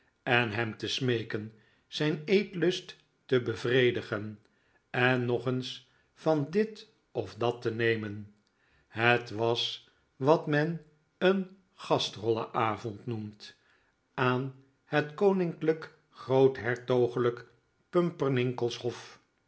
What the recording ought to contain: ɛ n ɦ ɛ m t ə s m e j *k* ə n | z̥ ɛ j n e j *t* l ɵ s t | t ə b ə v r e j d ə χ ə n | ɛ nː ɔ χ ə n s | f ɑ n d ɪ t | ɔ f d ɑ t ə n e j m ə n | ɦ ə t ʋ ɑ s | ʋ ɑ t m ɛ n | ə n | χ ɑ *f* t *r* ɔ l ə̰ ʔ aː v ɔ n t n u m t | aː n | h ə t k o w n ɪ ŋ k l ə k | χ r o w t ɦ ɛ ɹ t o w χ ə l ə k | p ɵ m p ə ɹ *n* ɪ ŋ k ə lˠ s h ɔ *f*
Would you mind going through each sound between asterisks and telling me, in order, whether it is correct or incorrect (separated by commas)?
correct, correct, incorrect, correct, correct, correct